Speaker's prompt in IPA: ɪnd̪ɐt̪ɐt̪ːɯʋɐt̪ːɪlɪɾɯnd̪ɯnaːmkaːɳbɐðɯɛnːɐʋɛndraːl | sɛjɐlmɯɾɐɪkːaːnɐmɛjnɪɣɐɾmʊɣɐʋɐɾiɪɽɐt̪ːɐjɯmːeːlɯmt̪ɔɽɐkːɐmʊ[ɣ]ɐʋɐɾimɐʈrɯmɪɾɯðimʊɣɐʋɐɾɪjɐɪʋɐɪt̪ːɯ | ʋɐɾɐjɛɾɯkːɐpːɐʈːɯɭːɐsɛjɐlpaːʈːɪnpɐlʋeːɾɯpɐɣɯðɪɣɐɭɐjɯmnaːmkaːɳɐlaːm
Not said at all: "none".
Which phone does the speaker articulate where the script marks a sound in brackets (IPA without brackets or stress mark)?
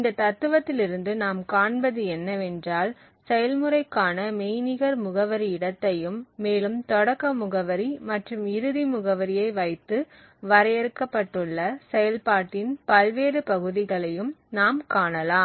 ɣ